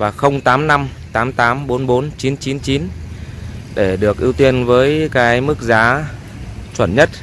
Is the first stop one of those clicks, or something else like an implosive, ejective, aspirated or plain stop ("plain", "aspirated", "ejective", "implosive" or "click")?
plain